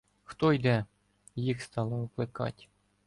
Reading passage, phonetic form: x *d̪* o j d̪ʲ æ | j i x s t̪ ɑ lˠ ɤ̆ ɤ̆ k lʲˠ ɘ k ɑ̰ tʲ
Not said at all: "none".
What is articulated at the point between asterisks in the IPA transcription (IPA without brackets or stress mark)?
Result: t̪